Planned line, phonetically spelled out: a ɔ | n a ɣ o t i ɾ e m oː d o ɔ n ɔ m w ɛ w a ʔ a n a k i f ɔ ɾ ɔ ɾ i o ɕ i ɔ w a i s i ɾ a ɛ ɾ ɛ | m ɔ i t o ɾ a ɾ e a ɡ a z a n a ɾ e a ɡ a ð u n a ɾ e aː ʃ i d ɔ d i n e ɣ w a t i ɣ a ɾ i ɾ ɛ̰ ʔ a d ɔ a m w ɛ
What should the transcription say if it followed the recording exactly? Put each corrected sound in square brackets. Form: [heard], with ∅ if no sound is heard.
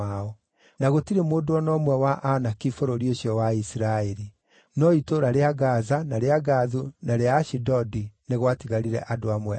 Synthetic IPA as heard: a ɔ | n a ɣ o t i ɾ e m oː d o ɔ n ɔ m w ɛ w a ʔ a n a k i f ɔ ɾ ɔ ɾ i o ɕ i ɔ w a i s i ɾ a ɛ ɾ [i] | [n] ɔ i t o ɾ a ɾ e a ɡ a z a n a ɾ e a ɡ a ð u n a ɾ e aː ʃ i d ɔ d i n e ɣ w a t i ɣ a ɾ i ɾ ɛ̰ ʔ a d [o] a m w ɛ